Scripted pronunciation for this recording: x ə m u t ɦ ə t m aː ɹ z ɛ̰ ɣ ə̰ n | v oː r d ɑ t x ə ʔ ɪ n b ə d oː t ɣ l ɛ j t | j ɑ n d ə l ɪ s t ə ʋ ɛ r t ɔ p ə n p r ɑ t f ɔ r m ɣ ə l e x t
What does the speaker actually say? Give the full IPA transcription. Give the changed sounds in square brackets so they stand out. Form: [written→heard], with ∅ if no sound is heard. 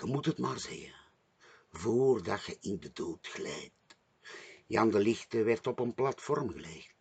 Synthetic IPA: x ə m u t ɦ ə t m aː [ɹ→r] z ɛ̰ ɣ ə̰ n | v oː r d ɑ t x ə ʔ ɪ n [b→d] ə d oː t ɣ l ɛ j t | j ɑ n d ə l ɪ [s→x] t ə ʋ ɛ r t ɔ p ə n p [r→l] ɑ t f ɔ r m ɣ ə l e x t